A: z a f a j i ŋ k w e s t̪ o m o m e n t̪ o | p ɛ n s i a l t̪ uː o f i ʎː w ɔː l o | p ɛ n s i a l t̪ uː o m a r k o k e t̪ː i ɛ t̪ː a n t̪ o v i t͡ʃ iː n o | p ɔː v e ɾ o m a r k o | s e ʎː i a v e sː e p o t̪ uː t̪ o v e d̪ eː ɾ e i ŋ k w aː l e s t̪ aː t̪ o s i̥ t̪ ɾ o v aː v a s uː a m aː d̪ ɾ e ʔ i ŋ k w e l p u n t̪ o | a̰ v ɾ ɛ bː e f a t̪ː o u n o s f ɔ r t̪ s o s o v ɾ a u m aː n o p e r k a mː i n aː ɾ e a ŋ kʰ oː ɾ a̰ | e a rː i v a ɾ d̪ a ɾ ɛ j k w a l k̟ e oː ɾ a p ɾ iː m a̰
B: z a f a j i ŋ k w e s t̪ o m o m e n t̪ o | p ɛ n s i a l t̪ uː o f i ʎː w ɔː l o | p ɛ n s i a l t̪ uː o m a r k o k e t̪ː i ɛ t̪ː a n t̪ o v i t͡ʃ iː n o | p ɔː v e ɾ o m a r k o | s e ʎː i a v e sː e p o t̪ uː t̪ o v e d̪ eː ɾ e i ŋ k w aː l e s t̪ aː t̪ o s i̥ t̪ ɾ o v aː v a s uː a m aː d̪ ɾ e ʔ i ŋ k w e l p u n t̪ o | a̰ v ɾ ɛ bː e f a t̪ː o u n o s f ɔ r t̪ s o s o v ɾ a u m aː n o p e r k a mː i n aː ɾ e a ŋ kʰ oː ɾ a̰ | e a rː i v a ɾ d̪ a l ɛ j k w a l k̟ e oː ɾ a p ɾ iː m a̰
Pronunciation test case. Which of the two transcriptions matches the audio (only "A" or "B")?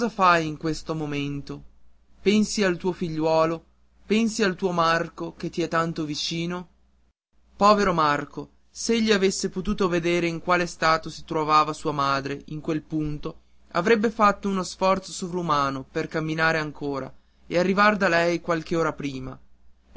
B